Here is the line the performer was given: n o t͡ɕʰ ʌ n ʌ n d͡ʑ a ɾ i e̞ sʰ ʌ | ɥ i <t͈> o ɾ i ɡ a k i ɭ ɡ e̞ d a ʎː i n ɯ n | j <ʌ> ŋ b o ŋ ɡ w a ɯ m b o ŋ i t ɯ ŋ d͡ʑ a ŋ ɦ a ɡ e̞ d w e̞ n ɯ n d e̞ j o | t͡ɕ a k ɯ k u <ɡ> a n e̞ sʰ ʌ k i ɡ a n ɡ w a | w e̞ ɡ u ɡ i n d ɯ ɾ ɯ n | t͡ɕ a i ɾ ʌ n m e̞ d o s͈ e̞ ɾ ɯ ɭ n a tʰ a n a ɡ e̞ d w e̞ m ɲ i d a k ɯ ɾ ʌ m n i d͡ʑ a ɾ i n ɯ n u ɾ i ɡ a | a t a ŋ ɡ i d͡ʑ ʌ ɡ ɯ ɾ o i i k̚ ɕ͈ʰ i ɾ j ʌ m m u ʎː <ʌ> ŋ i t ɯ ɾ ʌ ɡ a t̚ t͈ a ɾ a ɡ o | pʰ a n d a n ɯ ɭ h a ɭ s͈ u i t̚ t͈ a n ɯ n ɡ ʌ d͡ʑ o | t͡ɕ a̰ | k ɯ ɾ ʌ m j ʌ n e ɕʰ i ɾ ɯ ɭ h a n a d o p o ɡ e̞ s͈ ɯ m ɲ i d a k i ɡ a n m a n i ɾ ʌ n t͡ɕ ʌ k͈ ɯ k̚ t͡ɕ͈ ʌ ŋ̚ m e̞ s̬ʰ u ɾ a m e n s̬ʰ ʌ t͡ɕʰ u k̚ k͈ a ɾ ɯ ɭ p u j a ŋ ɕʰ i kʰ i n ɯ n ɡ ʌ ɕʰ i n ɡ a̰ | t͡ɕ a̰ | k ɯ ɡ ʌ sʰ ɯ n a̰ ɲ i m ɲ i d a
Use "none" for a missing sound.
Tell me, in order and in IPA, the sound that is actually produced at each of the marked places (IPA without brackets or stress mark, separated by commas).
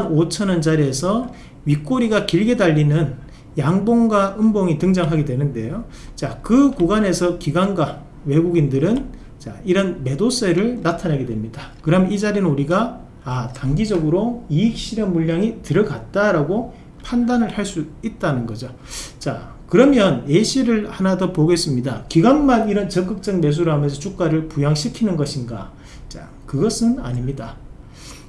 k͈, a, ɡ, a